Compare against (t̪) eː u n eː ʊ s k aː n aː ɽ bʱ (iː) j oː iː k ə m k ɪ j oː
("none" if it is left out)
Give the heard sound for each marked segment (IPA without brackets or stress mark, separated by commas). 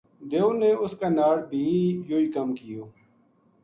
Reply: d̪, iː